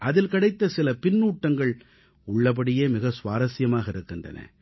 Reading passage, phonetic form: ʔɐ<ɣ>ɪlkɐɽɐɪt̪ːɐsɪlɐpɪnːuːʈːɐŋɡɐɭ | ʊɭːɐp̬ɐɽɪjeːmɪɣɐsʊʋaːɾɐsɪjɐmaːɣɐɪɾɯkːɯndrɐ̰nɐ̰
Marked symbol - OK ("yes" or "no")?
no